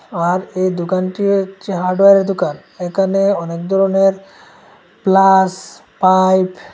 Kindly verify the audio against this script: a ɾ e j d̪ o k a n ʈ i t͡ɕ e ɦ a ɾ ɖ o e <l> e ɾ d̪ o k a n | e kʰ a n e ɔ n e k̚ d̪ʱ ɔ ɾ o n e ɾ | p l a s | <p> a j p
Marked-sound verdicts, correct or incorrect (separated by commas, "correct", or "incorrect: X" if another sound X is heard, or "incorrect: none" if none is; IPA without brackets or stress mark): incorrect: ɾ, correct